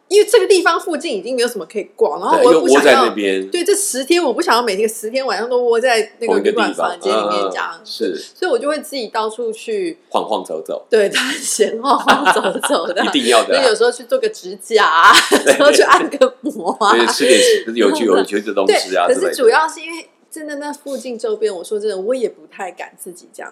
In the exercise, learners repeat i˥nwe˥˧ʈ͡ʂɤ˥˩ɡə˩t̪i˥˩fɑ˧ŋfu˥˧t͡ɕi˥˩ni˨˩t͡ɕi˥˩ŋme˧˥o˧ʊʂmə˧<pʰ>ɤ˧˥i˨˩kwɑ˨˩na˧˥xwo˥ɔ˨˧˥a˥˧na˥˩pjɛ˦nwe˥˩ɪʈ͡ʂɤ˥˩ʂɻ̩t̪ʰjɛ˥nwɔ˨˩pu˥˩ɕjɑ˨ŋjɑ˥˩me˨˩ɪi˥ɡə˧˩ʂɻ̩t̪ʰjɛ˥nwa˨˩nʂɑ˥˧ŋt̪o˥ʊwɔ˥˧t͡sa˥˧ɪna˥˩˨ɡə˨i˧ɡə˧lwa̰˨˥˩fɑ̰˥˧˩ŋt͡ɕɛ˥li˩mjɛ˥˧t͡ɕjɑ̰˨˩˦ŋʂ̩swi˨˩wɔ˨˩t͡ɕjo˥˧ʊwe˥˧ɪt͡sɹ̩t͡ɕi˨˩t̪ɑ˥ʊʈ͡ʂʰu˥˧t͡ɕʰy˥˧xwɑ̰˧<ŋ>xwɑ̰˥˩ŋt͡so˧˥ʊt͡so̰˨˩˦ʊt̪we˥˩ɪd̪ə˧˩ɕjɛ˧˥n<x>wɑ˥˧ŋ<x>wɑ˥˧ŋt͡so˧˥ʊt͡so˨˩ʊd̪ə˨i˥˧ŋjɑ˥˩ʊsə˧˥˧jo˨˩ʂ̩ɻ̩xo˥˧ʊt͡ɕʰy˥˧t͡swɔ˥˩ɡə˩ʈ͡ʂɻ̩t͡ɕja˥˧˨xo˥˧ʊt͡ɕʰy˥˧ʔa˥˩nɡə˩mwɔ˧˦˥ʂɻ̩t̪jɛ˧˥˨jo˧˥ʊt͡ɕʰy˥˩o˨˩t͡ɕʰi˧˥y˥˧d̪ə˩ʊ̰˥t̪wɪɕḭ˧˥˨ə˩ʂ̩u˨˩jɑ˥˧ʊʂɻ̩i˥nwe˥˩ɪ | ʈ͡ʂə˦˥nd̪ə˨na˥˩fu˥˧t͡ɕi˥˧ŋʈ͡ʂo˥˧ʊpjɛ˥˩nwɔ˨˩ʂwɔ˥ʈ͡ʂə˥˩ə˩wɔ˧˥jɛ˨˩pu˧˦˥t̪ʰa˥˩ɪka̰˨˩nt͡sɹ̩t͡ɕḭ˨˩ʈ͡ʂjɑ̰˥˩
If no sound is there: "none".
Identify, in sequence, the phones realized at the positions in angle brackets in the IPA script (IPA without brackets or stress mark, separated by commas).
kʰ, ŋ, x, x